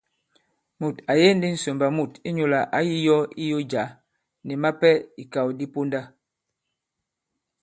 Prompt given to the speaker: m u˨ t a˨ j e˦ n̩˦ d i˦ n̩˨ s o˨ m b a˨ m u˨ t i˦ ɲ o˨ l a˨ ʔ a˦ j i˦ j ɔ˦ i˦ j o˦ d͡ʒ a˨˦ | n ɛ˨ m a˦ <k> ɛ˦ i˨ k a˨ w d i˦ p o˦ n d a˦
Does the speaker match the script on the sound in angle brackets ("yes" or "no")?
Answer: no